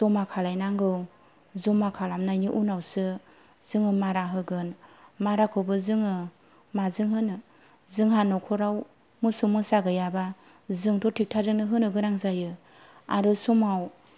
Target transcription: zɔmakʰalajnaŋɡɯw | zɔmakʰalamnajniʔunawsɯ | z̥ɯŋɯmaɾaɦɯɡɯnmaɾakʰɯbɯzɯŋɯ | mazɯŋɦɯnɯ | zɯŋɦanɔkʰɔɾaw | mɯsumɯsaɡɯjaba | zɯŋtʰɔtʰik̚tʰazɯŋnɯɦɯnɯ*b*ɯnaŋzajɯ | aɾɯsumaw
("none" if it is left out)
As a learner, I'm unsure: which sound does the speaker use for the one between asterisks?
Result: ɡ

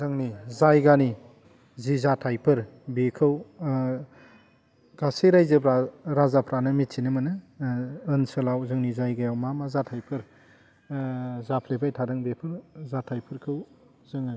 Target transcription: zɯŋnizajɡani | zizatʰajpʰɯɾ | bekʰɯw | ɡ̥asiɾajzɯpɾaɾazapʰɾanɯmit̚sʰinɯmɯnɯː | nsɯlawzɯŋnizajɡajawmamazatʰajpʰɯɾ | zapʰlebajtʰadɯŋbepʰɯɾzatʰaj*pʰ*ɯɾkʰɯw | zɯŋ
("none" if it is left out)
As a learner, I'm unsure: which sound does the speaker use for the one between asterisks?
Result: pʰ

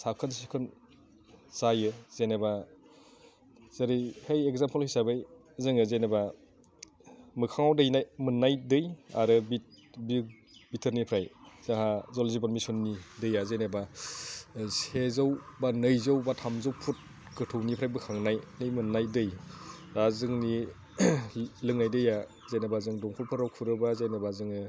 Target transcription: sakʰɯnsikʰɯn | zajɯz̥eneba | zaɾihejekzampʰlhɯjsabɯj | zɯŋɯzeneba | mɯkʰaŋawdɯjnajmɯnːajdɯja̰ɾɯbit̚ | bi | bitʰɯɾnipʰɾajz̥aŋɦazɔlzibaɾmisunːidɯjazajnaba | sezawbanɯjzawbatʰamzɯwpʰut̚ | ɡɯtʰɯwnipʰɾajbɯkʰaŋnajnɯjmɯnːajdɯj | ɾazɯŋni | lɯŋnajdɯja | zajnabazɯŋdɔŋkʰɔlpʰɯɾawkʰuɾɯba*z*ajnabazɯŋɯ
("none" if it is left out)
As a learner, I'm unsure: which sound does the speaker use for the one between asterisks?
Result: z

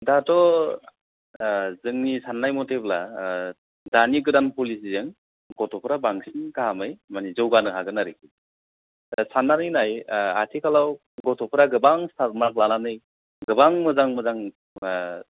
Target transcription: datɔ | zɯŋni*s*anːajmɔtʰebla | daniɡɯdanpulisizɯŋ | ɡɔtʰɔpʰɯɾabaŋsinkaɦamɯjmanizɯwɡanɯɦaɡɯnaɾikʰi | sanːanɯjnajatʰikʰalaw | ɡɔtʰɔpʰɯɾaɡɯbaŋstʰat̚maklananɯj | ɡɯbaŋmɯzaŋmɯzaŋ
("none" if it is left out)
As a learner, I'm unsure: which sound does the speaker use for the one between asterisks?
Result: s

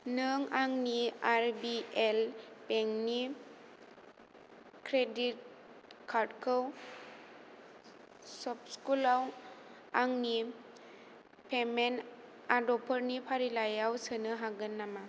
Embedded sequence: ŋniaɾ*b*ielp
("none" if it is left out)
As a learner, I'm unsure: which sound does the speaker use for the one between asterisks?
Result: b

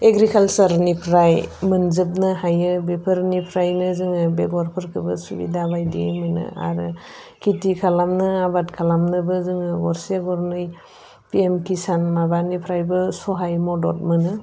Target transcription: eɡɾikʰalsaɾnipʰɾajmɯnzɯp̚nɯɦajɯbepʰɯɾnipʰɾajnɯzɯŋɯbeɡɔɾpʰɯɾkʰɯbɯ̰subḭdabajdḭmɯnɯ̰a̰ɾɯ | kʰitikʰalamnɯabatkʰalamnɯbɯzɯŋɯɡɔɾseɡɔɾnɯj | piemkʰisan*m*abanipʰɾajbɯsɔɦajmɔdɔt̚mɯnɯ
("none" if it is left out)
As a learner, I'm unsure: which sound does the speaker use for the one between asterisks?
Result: m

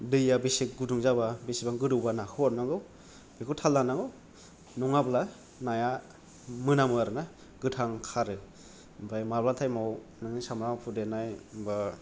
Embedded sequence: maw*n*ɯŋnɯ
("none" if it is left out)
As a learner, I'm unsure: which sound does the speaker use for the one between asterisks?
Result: n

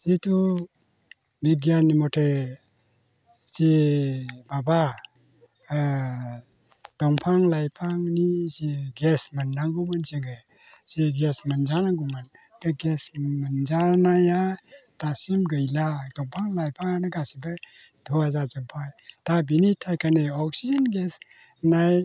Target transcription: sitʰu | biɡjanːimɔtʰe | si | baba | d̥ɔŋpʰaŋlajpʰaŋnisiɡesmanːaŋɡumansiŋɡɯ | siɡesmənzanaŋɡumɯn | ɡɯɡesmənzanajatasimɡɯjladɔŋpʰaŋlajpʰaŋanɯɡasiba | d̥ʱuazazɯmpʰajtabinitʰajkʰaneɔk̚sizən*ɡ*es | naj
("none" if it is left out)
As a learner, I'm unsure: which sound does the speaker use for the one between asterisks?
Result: ɡ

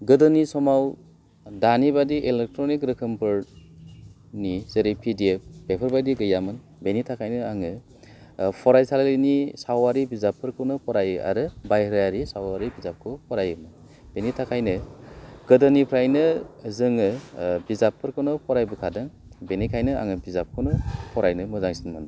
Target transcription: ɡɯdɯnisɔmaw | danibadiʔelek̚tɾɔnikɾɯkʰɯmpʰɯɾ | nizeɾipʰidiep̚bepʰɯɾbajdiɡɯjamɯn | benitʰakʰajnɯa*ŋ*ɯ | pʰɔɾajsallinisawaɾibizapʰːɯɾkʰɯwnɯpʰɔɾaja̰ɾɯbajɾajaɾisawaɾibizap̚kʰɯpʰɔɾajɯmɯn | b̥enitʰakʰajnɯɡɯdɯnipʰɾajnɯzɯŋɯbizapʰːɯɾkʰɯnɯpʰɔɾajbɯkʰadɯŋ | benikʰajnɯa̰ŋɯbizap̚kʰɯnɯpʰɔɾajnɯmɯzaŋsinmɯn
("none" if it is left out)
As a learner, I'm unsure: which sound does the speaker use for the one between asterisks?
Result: ŋ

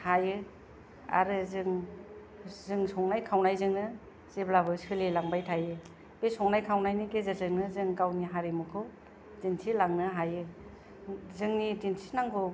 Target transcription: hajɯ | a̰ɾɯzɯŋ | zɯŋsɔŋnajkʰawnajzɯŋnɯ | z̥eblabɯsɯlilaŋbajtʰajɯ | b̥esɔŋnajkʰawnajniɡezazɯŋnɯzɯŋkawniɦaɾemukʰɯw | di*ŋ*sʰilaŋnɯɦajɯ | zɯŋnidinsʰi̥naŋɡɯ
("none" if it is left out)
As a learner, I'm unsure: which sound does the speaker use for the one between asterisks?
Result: n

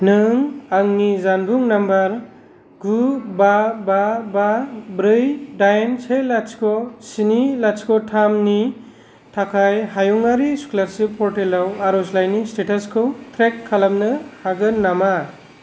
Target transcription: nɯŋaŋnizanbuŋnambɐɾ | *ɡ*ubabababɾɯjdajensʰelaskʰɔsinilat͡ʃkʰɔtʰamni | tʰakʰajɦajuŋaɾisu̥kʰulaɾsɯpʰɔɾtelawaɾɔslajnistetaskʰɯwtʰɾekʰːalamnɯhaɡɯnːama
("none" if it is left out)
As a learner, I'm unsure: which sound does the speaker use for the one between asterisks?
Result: ɡ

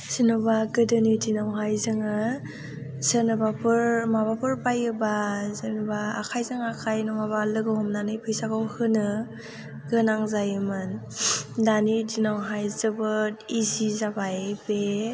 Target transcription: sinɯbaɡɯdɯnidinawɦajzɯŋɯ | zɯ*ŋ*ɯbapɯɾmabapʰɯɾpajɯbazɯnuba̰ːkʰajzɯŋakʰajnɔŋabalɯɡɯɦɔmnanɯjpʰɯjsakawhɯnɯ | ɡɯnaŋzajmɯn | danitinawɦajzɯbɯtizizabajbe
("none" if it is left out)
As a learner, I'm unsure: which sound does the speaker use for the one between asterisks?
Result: n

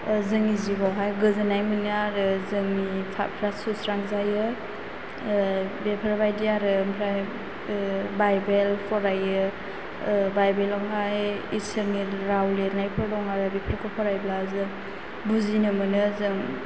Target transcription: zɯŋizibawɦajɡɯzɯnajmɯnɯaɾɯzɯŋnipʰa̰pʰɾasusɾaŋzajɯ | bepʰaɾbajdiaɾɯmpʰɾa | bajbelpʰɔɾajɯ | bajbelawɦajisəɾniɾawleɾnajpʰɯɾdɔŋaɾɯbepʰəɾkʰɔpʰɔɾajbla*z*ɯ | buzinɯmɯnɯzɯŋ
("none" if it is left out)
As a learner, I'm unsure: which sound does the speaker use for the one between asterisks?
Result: z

